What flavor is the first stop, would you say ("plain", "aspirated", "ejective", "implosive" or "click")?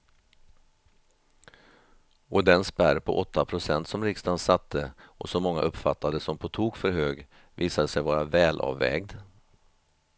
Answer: plain